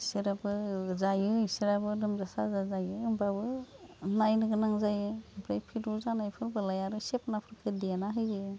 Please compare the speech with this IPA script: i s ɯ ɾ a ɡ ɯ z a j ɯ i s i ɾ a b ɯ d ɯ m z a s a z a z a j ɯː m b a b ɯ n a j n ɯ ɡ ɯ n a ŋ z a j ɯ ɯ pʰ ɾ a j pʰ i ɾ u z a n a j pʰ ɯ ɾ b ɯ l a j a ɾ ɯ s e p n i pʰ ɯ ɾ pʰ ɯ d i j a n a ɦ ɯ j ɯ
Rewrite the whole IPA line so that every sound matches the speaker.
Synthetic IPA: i s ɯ ɾ a b ɯ z a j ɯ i s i ɾ a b ɯ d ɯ m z a s a z a z a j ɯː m b a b ɯ n a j n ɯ ɡ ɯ n a ŋ z a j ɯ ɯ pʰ ɾ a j pʰ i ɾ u z a n a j pʰ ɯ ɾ b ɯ l a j a ɾ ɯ s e p n a pʰ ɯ ɾ kʰ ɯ d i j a n a ɦ ɯ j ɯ